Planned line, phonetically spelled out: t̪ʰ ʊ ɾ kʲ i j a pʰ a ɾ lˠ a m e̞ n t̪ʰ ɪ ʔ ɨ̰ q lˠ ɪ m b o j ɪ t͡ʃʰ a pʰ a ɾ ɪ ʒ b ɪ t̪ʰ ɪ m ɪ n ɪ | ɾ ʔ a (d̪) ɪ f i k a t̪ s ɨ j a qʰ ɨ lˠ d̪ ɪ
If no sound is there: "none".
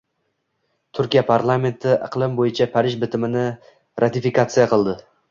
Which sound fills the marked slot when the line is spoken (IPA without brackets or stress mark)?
t̪